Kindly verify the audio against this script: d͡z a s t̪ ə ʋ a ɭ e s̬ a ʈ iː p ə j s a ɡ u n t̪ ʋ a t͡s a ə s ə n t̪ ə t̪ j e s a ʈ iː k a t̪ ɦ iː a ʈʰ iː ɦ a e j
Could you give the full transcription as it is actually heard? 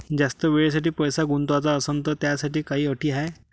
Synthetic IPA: d͡z a s t̪ ə ʋ e ɭ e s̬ a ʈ iː p ə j s a ɡ u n t̪ ʋ a t͡s a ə s ə n t̪ ə t̪ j a s a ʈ iː k a ɦ iː ə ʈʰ iː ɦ a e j